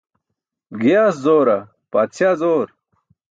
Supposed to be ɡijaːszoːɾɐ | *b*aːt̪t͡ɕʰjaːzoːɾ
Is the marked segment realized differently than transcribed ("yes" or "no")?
yes